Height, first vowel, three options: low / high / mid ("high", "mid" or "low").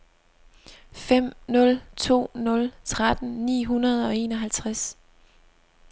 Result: mid